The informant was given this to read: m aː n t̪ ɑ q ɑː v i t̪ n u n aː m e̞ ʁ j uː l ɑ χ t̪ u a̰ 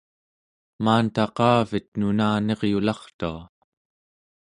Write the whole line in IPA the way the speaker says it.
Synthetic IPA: m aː n t̪ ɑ q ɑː v i t̪ n u n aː n e̞ ʁ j u l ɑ χ t̪ u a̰